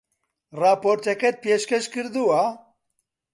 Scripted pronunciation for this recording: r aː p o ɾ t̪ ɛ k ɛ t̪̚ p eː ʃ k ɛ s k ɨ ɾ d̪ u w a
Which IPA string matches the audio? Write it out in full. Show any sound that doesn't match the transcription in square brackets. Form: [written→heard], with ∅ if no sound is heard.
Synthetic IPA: r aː p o ɾ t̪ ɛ k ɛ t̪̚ p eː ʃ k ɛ [s→ʃ] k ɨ ɾ d̪ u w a